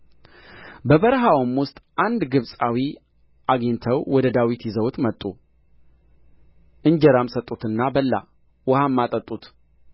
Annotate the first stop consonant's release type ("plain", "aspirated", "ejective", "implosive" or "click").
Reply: plain